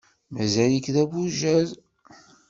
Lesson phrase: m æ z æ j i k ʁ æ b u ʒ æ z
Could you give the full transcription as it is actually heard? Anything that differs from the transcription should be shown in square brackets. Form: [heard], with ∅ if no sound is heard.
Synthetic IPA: m æ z æ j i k [ð] æ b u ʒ æ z